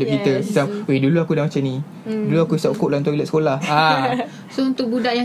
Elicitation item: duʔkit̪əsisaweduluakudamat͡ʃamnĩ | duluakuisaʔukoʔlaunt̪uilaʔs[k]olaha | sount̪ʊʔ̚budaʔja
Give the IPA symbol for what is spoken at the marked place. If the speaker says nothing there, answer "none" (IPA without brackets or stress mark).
k